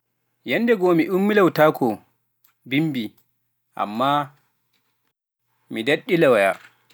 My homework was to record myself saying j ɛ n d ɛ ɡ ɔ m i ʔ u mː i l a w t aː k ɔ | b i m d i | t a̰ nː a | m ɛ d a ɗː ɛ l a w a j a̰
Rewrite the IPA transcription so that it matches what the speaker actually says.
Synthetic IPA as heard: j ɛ n d ɛ ɡ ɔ m i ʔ u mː i l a w t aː k ɔ | b i m b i | ʔ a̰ mː a | m i d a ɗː i l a w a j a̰